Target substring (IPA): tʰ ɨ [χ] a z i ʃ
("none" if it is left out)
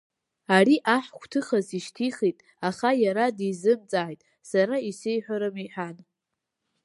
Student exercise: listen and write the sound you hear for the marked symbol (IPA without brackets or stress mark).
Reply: χ